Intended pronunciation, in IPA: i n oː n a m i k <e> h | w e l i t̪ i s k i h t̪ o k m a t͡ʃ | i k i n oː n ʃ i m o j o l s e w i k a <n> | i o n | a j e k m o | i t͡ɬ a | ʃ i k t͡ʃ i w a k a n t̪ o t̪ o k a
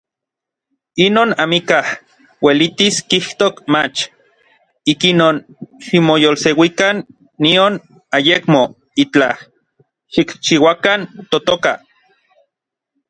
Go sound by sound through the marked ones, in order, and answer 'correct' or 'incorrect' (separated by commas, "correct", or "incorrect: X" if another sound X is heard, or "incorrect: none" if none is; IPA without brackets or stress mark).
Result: incorrect: a, incorrect: nː